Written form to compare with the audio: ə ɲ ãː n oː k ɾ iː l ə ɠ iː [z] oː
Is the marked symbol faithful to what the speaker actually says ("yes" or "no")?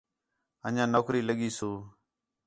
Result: no